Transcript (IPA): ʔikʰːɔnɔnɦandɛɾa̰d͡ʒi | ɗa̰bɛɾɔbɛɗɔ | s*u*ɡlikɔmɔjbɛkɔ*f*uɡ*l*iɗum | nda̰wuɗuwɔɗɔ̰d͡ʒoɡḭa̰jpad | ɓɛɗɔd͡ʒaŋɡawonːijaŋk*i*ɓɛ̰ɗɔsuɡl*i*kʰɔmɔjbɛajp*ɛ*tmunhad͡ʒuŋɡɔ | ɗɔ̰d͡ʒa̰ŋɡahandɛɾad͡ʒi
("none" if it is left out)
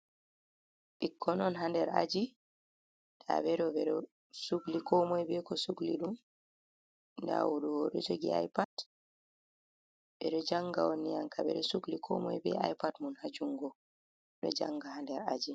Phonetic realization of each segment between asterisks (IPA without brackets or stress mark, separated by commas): u, s, l, a, i, a